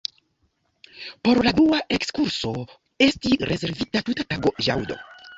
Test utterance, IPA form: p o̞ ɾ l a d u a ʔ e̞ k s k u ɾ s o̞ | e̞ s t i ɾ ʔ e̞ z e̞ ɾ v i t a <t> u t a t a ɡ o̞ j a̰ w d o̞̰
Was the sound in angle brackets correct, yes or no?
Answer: yes